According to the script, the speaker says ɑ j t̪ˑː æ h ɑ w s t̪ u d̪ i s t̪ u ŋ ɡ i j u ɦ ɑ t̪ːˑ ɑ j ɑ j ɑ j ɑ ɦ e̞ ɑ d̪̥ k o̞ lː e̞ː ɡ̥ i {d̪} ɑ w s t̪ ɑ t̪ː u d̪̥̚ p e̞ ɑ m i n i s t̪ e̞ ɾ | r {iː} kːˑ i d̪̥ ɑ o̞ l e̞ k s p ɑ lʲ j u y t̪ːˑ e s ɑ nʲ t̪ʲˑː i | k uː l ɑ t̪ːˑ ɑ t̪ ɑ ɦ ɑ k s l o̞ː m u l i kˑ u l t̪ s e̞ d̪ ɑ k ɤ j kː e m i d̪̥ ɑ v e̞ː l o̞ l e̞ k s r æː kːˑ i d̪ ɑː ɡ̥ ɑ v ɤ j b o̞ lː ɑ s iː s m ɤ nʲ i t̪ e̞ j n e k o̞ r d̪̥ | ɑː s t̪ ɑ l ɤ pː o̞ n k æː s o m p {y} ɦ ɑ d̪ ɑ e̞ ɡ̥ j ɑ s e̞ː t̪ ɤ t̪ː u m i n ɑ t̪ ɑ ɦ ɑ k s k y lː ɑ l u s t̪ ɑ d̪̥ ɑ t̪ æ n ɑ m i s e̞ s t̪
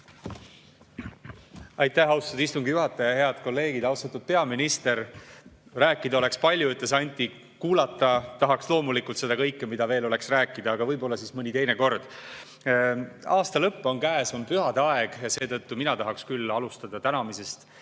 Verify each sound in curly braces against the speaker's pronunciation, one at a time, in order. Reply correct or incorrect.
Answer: correct, incorrect: æː, correct

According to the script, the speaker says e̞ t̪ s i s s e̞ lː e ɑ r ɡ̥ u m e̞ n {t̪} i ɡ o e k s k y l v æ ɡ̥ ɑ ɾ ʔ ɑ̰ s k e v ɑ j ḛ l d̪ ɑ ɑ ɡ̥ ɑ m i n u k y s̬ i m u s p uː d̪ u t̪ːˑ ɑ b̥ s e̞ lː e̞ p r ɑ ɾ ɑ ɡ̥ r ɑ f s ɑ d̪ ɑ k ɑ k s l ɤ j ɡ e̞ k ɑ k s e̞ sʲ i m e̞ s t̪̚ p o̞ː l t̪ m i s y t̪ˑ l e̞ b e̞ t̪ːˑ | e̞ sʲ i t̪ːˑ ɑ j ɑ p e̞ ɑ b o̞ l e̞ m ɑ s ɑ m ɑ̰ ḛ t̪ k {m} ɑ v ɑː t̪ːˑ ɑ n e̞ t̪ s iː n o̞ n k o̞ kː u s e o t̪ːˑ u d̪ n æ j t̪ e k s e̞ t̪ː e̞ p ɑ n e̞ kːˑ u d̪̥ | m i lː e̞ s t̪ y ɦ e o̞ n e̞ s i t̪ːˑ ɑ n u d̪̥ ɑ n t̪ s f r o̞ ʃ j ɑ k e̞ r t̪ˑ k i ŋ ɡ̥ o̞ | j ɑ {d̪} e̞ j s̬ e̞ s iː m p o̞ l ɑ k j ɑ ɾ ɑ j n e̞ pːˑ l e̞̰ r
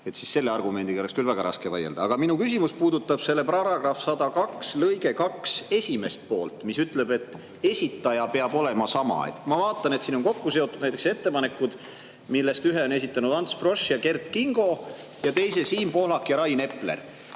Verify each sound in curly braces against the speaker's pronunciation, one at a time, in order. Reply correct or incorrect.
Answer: incorrect: d̪, correct, incorrect: t̪

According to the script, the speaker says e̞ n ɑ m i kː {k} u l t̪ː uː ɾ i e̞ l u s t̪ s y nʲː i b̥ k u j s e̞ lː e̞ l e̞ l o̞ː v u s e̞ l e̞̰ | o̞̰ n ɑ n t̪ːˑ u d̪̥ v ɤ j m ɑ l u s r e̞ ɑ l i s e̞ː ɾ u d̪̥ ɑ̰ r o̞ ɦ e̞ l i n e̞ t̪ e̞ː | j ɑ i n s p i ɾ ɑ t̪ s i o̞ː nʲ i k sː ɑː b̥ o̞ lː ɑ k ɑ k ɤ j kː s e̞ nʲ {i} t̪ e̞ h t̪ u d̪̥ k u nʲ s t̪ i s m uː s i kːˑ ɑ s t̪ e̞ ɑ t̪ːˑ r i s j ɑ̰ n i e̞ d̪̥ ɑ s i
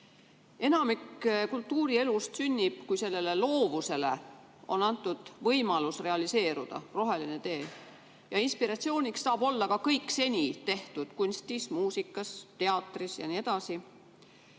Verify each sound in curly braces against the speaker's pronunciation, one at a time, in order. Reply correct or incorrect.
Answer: correct, correct

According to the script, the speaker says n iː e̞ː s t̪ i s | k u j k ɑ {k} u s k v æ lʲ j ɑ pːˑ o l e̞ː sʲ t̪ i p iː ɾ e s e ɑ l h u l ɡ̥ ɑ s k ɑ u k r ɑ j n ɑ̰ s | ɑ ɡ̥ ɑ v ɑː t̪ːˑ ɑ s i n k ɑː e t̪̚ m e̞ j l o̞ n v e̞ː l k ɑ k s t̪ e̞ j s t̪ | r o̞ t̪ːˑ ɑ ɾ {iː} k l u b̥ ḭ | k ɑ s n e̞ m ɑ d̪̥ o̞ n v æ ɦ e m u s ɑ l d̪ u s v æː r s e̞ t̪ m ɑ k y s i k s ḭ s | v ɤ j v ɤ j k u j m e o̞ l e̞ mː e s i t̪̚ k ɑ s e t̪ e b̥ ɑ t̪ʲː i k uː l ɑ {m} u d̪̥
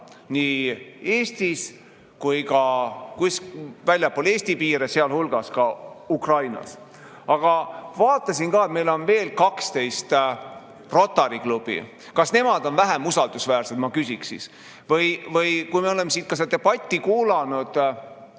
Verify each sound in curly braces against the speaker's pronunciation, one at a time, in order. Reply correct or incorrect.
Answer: correct, incorrect: i, incorrect: n

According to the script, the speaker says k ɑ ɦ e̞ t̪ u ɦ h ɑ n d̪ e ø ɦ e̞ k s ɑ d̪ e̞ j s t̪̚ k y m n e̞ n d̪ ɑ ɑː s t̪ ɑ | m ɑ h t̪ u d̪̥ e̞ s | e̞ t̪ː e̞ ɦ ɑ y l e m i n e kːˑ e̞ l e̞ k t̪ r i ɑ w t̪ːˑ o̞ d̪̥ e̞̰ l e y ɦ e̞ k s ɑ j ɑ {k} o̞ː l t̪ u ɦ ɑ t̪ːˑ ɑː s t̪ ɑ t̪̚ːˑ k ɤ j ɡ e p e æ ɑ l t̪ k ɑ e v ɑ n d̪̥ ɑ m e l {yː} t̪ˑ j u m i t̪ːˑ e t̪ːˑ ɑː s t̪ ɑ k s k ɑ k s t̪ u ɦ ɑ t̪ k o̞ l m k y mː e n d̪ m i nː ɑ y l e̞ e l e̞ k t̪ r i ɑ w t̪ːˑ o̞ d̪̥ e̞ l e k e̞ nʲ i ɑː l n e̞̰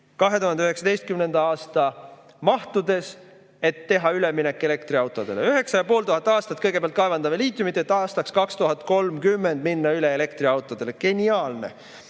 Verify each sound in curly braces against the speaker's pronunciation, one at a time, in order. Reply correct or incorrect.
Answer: incorrect: p, incorrect: iː

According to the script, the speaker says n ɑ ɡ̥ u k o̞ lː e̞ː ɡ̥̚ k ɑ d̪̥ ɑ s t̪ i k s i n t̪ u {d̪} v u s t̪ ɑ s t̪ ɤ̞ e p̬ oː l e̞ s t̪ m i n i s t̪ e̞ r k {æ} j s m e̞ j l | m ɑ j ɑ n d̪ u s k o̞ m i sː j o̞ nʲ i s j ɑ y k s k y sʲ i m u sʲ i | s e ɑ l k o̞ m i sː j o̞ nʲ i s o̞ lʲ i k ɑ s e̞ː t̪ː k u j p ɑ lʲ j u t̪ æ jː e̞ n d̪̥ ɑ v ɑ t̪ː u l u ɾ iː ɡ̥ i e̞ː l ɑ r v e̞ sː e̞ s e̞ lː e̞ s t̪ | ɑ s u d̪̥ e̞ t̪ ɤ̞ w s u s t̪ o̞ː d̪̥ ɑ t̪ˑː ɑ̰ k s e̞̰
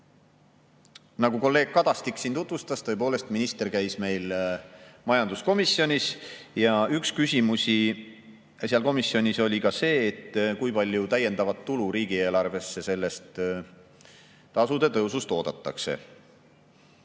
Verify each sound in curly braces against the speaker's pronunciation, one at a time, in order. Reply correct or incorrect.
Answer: incorrect: t̪, correct

